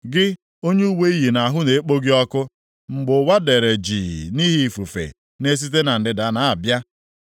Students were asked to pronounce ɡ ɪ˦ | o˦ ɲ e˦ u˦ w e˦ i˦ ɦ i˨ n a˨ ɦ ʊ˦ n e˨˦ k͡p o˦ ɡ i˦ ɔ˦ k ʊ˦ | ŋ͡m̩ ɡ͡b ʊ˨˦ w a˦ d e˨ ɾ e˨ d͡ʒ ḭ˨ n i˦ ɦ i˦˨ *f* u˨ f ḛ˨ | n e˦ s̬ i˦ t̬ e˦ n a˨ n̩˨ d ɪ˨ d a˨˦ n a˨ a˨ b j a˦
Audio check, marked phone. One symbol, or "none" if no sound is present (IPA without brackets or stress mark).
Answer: f